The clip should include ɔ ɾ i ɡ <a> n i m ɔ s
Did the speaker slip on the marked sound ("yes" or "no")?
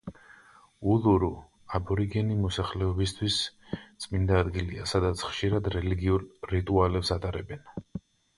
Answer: yes